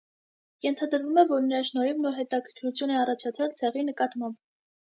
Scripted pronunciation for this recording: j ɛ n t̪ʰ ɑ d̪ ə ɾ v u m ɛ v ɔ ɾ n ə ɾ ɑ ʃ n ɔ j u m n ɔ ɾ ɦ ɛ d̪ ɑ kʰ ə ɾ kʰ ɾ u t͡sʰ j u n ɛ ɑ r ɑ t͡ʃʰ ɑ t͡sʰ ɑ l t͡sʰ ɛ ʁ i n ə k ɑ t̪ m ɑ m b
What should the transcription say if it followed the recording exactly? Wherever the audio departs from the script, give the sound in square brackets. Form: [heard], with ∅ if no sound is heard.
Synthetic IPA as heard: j ɛ n t̪ʰ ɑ d̪ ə ɾ v u m ɛ v ɔ ɾ n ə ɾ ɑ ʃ n ɔ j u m n ɔ ɾ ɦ ɛ [t̪] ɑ kʰ ə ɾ kʰ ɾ u t͡sʰ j u n ɛ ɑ r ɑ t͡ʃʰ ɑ t͡sʰ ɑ l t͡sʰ ɛ ʁ i n ə k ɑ t̪ m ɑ m b